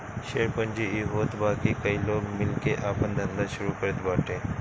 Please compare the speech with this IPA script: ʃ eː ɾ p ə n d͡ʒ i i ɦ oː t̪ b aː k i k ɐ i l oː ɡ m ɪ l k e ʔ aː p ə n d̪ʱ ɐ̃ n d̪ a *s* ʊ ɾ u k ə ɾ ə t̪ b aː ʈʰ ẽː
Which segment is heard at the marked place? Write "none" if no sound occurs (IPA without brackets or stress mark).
ʃ